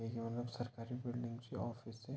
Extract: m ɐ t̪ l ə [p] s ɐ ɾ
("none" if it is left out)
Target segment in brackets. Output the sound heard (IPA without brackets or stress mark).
b